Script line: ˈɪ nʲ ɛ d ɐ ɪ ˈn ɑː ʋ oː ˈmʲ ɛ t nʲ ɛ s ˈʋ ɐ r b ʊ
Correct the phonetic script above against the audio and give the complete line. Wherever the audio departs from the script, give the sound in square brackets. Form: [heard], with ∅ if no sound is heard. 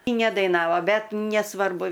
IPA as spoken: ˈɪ nʲ ɛ d ɐ ɪ ˈn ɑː ʋ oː [ˈbʲ] ɛ t nʲ ɛ s ˈʋ ɐ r b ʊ